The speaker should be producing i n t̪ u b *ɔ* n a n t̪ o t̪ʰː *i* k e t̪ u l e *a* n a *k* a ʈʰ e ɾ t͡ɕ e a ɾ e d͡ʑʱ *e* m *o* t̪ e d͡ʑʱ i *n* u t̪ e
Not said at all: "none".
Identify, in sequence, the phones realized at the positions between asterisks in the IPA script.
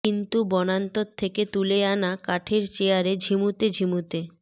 ɔ, e, a, k, i, u, m

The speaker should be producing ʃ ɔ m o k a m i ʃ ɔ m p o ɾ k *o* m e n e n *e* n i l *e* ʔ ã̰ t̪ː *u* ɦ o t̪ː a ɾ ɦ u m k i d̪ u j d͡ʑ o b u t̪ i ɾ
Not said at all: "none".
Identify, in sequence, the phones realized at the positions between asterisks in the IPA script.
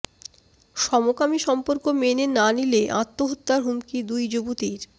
o, a, e, o

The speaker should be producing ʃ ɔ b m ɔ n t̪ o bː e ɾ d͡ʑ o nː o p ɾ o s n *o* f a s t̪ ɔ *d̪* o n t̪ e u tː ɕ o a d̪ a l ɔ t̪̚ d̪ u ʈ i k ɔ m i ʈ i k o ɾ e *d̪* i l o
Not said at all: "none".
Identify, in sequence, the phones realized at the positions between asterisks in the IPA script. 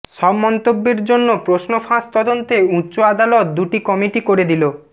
o, d̪, d̪

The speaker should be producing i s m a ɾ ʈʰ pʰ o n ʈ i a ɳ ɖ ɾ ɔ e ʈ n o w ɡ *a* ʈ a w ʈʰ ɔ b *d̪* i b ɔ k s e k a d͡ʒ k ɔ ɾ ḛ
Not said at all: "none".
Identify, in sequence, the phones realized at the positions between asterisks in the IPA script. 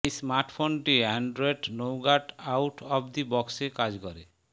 a, d̪

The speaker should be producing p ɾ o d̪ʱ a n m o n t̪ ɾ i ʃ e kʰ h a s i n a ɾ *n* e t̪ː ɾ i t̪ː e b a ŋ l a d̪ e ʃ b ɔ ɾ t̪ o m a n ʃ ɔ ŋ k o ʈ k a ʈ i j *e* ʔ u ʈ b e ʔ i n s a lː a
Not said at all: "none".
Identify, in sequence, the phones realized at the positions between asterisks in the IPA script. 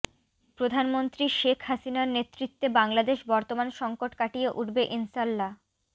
n, e

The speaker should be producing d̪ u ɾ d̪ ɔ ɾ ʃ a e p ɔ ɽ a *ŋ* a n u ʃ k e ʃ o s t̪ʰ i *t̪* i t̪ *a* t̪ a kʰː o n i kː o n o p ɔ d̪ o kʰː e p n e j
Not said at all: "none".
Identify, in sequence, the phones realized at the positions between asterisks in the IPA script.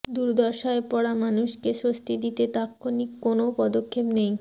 m, d̪, e

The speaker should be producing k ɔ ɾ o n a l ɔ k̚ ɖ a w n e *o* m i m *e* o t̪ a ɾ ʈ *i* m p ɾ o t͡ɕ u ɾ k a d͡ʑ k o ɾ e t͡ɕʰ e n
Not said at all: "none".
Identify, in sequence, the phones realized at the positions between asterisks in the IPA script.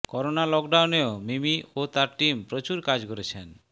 o, i, i

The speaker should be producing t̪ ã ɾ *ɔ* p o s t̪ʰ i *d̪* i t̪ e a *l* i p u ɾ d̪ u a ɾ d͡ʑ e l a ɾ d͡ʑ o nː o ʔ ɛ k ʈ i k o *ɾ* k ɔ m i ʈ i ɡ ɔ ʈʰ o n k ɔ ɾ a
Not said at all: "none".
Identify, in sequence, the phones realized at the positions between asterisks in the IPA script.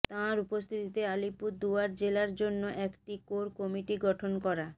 u, t̪, l, ɾ

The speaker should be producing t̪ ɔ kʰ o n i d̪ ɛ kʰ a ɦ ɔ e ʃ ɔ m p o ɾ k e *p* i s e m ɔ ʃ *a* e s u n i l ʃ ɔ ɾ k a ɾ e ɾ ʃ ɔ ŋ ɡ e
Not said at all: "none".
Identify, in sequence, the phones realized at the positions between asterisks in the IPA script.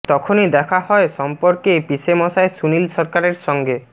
p, a

